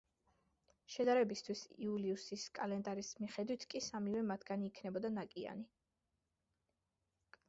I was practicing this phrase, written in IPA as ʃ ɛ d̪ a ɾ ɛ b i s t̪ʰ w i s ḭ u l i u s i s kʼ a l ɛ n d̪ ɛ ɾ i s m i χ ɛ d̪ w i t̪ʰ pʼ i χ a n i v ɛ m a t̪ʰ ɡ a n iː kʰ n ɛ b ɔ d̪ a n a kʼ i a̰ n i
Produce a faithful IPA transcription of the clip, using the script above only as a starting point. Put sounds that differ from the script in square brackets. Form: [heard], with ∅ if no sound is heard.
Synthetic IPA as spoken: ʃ ɛ d̪ a ɾ ɛ b i s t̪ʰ w i s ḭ u l i u s i s kʼ a l ɛ n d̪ [a] ɾ i s m i χ ɛ d̪ w i t̪ʰ [kʼ] i [s] a [m] i v ɛ m a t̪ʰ ɡ a n iː kʰ n ɛ b ɔ d̪ a n a kʼ i a̰ n i

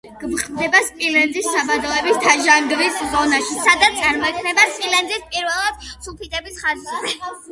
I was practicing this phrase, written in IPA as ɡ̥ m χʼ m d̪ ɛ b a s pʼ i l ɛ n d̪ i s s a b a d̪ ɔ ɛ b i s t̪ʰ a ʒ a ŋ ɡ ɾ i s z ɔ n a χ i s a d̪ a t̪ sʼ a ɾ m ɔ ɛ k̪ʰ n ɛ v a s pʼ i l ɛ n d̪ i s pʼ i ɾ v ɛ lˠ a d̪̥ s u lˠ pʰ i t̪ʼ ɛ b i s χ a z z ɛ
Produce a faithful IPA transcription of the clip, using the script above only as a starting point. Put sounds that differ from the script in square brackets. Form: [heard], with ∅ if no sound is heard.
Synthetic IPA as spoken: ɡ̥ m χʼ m d̪ ɛ b a s pʼ i l ɛ n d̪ i s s a b a d̪ ɔ ɛ b i s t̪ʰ a ʒ a ŋ ɡ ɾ i s z ɔ n a [ʃ] i s a d̪ a t̪ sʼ a ɾ m ɔ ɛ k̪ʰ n ɛ [b] a s pʼ i l ɛ n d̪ i s pʼ i ɾ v ɛ lˠ a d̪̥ s u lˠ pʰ i t̪ʼ ɛ b i s χ a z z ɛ

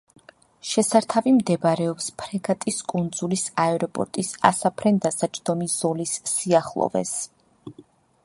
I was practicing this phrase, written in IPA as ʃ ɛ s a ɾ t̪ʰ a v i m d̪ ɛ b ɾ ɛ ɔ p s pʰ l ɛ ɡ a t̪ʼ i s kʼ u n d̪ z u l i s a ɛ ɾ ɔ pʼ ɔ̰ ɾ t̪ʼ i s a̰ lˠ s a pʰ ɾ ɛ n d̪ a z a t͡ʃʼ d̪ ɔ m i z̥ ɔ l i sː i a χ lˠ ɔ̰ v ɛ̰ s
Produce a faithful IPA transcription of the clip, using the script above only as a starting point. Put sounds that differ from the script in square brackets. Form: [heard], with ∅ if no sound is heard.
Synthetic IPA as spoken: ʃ ɛ s a ɾ t̪ʰ a v i m d̪ ɛ b ɾ ɛ ɔ p s pʰ [ɾ] ɛ ɡ a t̪ʼ i s kʼ u n d̪ z u l i s a ɛ ɾ ɔ pʼ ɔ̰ ɾ t̪ʼ i s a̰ [∅] s a pʰ ɾ ɛ n d̪ a [s] a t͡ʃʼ d̪ ɔ m i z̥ ɔ l i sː i a χ lˠ ɔ̰ v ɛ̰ s

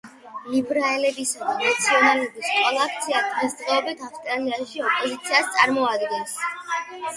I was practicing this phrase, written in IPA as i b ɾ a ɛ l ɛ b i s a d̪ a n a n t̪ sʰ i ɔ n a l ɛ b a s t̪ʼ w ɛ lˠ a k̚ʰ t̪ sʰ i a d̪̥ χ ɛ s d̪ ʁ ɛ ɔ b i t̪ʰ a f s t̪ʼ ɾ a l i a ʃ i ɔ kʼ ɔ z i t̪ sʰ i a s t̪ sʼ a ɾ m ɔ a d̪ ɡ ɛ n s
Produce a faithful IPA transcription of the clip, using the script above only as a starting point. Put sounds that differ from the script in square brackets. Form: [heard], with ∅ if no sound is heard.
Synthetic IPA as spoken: i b ɾ a ɛ l ɛ b i s a d̪ a n a [∅] t̪ sʰ i ɔ n a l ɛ b [i] s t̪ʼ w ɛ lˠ a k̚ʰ t̪ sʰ i a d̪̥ [ʁ] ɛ s d̪ ʁ ɛ ɔ b i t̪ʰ a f s t̪ʼ ɾ a l i a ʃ i ɔ [pʼ] ɔ z i t̪ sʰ i a s t̪ sʼ a ɾ m ɔ a d̪ ɡ ɛ n s

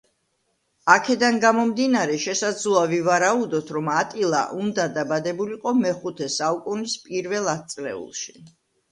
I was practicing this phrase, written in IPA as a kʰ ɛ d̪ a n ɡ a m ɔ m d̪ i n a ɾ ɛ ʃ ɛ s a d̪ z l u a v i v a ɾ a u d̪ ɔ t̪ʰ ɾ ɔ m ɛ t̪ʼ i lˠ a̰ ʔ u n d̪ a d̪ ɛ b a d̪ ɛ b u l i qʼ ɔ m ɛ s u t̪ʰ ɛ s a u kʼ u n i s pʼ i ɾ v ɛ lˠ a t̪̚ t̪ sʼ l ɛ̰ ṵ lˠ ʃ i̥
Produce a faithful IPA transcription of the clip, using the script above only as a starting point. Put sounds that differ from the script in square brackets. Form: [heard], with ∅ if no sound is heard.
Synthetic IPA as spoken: a kʰ ɛ d̪ a n ɡ a m ɔ m d̪ i n a ɾ ɛ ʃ ɛ s a d̪ z l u a v i v a ɾ a u d̪ ɔ t̪ʰ ɾ ɔ m [a] t̪ʼ i lˠ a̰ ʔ u n d̪ a d̪ [a] b a d̪ ɛ b u l i qʼ ɔ m ɛ [χ] u t̪ʰ ɛ s a u kʼ u n i s pʼ i ɾ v ɛ lˠ a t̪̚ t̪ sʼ l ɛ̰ ṵ lˠ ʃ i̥

